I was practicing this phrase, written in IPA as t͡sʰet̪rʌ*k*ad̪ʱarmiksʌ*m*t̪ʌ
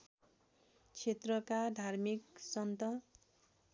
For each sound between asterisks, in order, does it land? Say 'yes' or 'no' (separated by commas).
yes, no